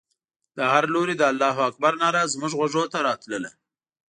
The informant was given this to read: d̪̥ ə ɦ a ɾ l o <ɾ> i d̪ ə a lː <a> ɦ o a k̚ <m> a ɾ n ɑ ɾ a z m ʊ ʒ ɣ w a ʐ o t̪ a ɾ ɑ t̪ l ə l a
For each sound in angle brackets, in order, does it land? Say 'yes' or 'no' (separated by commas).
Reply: yes, no, no